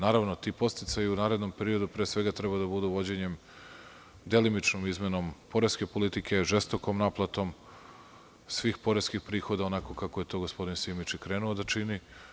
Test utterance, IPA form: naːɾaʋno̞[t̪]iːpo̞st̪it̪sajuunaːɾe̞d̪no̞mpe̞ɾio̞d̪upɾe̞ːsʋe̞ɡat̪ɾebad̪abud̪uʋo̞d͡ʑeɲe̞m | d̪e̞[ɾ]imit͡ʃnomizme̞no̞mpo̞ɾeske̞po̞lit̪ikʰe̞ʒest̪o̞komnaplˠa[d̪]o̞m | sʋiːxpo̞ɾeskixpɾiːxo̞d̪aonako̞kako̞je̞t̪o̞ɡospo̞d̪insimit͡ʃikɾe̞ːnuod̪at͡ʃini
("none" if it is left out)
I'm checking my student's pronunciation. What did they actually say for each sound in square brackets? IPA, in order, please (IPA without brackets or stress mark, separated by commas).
t̪, l, t̪